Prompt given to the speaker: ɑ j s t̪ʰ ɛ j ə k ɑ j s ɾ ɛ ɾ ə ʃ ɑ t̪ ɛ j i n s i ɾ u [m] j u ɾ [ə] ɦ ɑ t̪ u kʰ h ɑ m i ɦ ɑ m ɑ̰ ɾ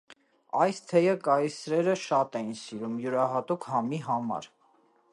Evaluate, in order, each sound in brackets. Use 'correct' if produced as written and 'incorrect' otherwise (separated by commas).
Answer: correct, incorrect